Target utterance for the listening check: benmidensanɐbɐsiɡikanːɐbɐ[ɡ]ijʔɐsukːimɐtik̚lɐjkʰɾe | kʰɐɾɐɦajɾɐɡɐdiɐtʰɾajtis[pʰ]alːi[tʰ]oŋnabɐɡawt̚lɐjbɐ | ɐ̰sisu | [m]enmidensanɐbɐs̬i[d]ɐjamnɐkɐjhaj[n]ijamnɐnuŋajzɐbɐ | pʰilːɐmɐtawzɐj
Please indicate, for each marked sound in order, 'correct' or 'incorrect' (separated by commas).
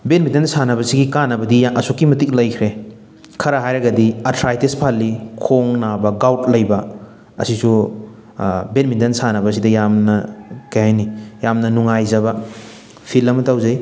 incorrect, correct, incorrect, incorrect, correct, correct